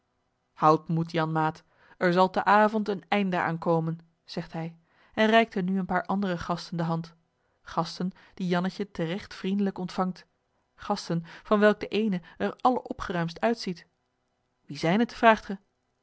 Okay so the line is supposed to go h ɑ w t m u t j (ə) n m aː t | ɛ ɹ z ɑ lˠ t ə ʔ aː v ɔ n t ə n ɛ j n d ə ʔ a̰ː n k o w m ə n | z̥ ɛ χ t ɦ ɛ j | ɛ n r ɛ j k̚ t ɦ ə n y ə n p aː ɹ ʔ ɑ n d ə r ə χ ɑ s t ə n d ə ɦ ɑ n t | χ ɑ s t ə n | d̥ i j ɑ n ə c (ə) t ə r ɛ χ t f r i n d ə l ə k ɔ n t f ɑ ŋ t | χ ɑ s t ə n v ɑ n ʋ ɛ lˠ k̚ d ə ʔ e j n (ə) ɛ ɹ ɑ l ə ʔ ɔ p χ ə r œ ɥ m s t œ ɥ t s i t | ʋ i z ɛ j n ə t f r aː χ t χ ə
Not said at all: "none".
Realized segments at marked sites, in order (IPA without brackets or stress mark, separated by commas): ɑ, ə, ə